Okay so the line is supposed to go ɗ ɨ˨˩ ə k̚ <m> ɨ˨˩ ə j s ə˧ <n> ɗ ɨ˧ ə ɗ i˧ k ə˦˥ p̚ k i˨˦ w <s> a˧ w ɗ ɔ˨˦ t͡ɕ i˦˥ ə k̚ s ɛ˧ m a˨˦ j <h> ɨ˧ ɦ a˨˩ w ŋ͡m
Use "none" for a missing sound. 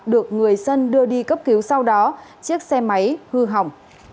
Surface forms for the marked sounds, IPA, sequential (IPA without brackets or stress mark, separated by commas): ŋ, n, s, h